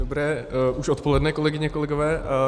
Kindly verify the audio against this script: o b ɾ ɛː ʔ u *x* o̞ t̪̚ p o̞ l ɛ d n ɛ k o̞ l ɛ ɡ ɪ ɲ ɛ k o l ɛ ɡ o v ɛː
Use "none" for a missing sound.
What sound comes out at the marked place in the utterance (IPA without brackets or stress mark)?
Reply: ʃ